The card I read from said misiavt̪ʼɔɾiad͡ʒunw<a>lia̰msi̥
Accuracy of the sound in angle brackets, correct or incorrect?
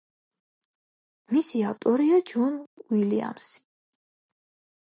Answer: incorrect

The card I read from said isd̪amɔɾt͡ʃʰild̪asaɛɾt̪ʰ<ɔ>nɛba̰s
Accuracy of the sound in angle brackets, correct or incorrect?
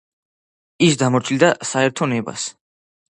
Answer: correct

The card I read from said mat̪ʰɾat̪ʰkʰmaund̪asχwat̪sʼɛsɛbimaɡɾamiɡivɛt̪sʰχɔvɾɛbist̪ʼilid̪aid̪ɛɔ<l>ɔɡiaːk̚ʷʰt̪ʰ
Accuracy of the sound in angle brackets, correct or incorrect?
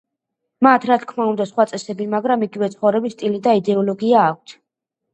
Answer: correct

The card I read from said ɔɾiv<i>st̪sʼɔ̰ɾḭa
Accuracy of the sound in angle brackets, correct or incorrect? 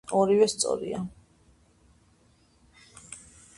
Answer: incorrect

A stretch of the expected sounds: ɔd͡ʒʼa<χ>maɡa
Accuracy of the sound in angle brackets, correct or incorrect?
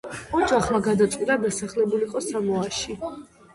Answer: correct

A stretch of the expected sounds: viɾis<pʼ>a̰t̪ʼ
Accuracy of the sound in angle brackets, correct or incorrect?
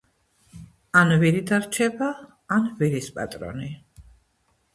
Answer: correct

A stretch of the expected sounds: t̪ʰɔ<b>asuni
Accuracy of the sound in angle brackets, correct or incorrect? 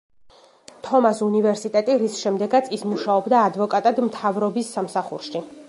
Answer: incorrect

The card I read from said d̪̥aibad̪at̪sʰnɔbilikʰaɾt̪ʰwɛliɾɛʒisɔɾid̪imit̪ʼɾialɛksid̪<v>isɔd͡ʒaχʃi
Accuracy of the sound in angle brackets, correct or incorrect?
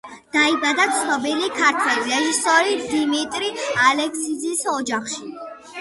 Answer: incorrect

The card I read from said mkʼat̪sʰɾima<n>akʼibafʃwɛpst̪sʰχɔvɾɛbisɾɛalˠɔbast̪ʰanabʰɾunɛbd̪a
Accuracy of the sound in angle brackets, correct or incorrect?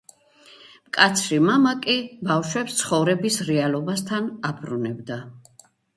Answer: incorrect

